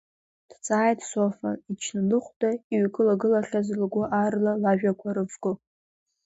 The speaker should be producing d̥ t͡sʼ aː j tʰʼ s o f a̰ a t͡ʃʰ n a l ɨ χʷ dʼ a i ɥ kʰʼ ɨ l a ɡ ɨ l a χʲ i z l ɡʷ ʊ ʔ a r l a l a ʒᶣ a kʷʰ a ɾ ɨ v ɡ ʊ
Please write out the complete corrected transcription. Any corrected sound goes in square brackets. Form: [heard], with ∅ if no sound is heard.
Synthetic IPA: d̥ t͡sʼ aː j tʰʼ s o f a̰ [i] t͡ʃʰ n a l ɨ χʷ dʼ a i ɥ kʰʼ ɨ l a ɡ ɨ l a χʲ [a] z l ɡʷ ʊ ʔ a r l a l a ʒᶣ a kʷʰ a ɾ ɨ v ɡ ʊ